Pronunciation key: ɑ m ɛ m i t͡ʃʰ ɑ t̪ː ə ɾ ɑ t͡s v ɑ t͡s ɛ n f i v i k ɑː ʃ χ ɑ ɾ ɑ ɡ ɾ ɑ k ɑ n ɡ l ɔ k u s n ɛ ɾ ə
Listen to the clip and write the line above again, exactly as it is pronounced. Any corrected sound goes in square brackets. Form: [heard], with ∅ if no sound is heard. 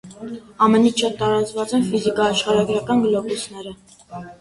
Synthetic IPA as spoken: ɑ m ɛ [n] i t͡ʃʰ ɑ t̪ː [ɑ] ɾ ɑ t͡s v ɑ t͡s ɛ n f i [z] i k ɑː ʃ χ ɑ ɾ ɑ ɡ ɾ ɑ k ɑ n ɡ l ɔ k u s n ɛ ɾ ə

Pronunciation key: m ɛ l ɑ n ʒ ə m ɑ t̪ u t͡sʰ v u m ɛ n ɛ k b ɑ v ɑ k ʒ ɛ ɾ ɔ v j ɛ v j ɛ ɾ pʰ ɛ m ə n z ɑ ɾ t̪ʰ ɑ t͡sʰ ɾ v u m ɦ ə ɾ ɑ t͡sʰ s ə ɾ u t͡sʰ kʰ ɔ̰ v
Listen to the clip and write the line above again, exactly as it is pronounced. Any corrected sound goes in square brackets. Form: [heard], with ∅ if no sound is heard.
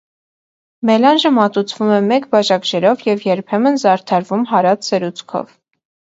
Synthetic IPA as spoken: m ɛ l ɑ n ʒ ə m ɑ t̪ u t͡sʰ v u m ɛ [m] ɛ k b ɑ [ʒ] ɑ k ʒ ɛ ɾ ɔ v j ɛ v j ɛ ɾ pʰ ɛ m ə n z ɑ ɾ t̪ʰ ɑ [∅] ɾ v u m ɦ [ɑ] ɾ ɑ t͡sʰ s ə ɾ u t͡sʰ kʰ ɔ̰ v

